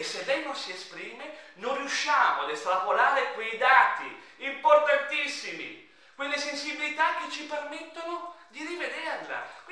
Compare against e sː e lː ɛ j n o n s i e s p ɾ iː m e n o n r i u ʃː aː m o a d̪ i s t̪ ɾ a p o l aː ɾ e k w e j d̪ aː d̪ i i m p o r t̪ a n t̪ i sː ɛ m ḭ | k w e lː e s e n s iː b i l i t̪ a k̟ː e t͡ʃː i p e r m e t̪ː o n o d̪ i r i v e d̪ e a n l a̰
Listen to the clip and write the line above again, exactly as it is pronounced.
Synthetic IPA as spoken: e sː e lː ɛ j n o n s i e s p ɾ iː m e n o n r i u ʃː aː m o a d̪ e s t̪ ɾ a p o l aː ɾ e k w e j d̪ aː t̪ i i m p o r t̪ a n t̪ i sː i m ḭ | k w e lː e s e n s i b i l i t̪ a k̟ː e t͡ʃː i p e r m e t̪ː o n o d̪ i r i v e d̪ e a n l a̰